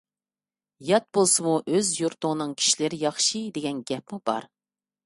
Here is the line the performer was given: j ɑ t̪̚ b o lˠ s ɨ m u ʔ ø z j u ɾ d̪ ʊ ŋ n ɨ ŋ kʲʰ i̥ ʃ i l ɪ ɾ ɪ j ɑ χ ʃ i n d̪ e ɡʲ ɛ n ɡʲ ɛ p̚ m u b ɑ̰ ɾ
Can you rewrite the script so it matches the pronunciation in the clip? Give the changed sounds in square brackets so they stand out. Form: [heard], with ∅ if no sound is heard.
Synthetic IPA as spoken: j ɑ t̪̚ b o lˠ s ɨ m u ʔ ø z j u ɾ [t̪] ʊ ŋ n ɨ ŋ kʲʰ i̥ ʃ i l ɪ ɾ ɪ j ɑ χ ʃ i [∅] d̪ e ɡʲ ɛ n ɡʲ ɛ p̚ m u b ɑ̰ ɾ

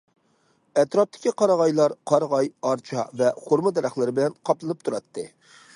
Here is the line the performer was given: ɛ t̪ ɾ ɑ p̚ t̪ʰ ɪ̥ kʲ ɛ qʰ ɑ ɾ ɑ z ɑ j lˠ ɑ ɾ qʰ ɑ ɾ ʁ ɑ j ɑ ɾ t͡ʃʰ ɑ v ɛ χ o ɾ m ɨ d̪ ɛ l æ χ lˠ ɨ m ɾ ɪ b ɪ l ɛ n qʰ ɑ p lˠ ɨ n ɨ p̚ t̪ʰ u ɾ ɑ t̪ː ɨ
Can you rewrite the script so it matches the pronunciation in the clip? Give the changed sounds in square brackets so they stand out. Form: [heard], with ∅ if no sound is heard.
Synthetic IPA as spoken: ɛ t̪ ɾ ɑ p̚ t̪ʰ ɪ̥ kʲ [i] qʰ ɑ ɾ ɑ [ʁ] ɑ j lˠ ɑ ɾ qʰ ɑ ɾ ʁ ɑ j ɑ ɾ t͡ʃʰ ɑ v ɛ χ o ɾ m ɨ d̪ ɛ [ɾ] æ χ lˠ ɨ [∅] ɾ ɪ b ɪ l ɛ n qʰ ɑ p lˠ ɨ n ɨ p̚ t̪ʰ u ɾ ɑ t̪ː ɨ

